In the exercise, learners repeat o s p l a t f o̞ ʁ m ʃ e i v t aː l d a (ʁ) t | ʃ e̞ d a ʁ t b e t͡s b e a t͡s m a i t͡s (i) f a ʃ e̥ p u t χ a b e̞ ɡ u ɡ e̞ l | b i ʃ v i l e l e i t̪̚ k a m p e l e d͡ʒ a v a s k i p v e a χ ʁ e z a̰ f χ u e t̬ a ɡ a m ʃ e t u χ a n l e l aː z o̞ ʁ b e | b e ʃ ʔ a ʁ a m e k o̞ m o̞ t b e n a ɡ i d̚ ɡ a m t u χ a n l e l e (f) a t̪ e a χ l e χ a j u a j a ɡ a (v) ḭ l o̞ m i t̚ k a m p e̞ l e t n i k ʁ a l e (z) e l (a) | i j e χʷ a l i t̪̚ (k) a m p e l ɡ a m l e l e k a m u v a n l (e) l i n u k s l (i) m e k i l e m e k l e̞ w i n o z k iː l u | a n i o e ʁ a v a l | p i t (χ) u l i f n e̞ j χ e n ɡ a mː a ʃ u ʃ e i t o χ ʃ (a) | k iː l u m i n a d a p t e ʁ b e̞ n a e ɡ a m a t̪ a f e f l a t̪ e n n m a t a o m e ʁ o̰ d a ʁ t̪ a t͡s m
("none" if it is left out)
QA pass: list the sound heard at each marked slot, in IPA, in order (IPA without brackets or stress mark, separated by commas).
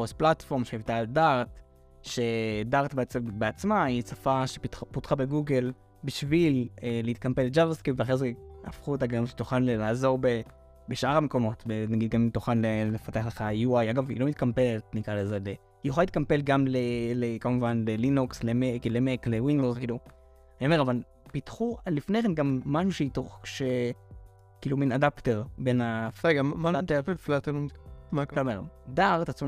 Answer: ʁ, a, f, v, z, e, k, e, e, χ, e